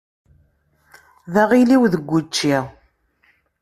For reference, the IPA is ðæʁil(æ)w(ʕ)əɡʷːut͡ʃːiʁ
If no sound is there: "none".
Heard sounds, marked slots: i, ð

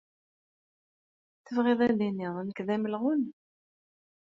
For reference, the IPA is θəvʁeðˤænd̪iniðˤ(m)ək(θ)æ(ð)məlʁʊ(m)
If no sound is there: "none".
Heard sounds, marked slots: n, ð, none, n

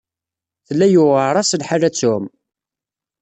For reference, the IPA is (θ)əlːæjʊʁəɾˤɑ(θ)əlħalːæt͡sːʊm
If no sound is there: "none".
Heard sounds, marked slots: θ, s

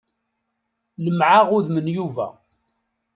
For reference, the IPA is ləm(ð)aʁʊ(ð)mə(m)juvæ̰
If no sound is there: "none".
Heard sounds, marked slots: ʕ, ð, n

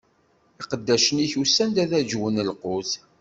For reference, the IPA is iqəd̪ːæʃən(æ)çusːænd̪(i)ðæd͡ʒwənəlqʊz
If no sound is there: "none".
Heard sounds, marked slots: i, æ

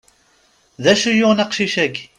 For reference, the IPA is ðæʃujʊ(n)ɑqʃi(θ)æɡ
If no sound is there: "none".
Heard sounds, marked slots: n, ʃ

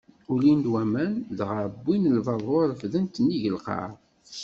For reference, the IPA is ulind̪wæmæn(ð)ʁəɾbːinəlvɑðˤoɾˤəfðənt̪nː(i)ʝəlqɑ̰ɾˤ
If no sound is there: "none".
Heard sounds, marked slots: ð, i

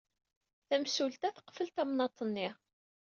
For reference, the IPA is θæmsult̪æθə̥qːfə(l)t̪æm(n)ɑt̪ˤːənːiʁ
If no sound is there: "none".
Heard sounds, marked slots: l, n

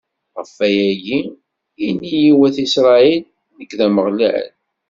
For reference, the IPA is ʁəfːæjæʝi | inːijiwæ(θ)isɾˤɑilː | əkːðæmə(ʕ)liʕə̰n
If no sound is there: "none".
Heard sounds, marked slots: θ, ʁ

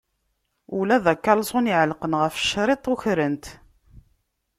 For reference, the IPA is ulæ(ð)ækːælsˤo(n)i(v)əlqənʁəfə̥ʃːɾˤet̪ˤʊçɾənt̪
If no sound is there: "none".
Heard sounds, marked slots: ð, n, ʕ

